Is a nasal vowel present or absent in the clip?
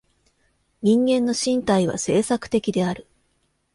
present